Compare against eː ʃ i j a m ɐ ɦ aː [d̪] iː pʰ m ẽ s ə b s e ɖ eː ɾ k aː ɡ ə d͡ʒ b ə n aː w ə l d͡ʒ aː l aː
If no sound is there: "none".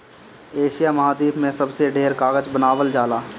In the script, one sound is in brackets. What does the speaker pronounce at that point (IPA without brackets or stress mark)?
d̪